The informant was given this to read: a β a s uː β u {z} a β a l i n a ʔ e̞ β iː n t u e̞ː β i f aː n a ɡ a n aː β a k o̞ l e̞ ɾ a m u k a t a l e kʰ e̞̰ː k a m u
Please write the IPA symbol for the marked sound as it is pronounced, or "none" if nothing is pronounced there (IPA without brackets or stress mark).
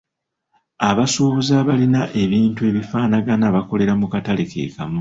z